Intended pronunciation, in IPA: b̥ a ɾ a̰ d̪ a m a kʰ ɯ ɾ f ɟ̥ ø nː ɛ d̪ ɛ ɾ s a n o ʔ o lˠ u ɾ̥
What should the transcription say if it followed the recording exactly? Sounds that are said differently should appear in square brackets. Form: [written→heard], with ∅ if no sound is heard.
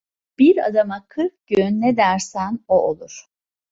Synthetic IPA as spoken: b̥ [a→i] ɾ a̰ d̪ a m a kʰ ɯ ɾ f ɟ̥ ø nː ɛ d̪ [ɛ→æ] ɾ s [a→æ] n o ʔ o lˠ u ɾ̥